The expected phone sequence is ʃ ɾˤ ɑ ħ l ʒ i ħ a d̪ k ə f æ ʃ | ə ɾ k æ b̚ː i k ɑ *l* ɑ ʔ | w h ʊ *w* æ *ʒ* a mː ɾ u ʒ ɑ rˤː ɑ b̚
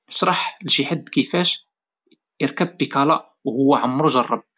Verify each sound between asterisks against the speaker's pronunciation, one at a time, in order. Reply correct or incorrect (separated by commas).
correct, incorrect, incorrect